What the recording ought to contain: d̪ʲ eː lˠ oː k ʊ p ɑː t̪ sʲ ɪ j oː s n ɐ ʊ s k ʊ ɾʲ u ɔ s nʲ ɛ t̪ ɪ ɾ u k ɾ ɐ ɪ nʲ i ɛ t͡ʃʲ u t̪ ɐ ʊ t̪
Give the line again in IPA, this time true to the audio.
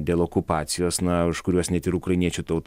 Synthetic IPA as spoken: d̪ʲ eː lˠ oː k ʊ p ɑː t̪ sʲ ɪ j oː s n ɐ ʊ ʃ k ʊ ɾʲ u ɔ s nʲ ɛ t̪ ɪ ɾ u k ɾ ɐ ɪ nʲ i ɛ t͡ʃʲ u t̪ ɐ ʊ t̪